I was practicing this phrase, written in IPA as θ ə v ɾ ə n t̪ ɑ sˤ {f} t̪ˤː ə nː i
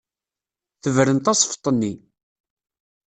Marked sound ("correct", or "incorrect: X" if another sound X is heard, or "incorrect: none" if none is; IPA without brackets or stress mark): correct